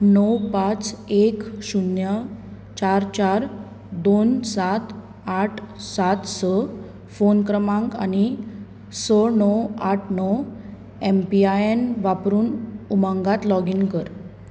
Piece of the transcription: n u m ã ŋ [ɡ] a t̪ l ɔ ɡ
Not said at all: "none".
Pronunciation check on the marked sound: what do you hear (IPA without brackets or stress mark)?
ɡ